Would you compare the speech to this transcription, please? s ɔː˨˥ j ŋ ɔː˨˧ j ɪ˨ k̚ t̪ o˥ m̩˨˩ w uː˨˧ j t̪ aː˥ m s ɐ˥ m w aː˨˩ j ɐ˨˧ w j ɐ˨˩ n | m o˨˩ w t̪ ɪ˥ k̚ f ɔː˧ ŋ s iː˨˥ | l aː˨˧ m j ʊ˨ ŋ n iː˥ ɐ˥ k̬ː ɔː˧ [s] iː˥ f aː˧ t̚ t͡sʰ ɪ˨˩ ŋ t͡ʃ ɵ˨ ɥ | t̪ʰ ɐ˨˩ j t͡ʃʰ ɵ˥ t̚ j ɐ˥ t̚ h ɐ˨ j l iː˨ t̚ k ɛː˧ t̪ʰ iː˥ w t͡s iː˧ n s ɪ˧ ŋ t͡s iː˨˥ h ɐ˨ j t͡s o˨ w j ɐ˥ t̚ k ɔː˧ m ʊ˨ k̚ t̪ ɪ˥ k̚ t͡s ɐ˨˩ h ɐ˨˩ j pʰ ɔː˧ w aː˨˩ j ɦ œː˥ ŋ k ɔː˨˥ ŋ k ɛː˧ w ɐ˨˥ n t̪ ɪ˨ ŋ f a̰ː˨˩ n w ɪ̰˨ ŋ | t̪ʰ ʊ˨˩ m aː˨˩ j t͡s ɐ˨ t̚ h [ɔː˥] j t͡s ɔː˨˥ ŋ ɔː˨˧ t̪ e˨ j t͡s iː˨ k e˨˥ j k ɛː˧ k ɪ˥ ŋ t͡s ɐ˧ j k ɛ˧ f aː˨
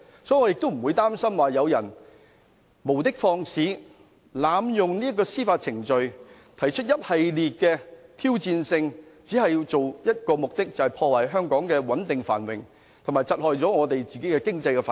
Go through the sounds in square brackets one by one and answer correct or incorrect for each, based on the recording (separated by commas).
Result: correct, incorrect